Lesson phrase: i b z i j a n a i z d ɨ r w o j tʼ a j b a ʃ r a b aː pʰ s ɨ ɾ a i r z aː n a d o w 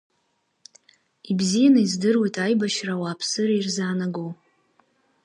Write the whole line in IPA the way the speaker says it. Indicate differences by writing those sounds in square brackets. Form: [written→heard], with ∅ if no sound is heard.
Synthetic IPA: i b z i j a n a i z d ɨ r w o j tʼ a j b a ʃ r a [b→w] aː pʰ s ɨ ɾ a i r z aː n a [d→ɡ] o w